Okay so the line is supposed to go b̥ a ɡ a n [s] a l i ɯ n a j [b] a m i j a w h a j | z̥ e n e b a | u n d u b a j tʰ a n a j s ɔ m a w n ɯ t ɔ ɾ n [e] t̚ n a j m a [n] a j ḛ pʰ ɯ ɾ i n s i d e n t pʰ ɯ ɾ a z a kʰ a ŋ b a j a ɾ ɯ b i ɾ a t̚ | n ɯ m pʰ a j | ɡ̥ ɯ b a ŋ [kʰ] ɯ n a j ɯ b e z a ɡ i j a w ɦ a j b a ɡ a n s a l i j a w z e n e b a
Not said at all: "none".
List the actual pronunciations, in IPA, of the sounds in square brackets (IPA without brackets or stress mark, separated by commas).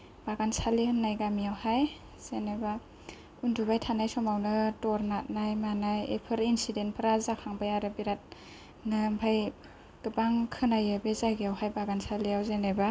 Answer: s, ɡ, a, n, kʰ